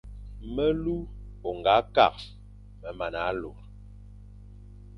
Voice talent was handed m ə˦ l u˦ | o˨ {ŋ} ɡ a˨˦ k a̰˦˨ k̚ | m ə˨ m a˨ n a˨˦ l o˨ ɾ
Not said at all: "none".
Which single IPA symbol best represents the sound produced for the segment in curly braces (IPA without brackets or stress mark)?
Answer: ŋ